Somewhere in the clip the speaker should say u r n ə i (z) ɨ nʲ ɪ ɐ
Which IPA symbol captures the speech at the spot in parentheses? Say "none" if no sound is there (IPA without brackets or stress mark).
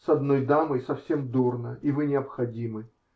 v